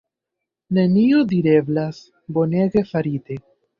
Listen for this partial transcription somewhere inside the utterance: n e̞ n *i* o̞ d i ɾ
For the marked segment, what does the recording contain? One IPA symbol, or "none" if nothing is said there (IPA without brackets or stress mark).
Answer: i